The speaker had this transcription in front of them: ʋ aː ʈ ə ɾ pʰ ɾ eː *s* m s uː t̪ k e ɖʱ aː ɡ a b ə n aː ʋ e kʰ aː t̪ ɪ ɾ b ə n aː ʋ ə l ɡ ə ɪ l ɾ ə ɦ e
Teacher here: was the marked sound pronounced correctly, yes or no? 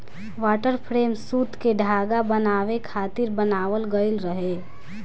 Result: no